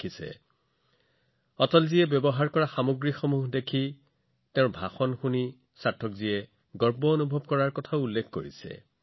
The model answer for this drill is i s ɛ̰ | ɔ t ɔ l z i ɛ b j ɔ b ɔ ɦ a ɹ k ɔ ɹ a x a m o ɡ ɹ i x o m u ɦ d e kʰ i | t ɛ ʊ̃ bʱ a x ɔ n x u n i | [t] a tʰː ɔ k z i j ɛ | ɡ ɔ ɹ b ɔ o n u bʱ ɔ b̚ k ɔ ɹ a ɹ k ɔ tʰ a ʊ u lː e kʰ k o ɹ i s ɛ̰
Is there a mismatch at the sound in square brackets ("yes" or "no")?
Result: yes